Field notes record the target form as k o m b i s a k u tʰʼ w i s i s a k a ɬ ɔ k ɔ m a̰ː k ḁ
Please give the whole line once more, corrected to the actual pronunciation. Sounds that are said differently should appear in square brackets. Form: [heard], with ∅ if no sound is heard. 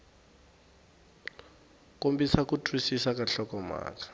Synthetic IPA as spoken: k o m b i s a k u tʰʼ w i s i s a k a ɬ ɔ k ɔ m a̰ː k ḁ